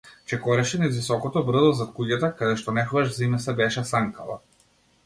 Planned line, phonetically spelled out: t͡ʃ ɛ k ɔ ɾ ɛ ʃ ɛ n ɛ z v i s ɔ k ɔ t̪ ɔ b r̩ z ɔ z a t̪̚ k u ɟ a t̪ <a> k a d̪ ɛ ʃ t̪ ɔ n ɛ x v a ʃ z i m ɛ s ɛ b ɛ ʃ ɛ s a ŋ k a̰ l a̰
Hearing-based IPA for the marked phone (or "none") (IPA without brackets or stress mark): a